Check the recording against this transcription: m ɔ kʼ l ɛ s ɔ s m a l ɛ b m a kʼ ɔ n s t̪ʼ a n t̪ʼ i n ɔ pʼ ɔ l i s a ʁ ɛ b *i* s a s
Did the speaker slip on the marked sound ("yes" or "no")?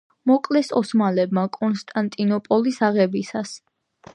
no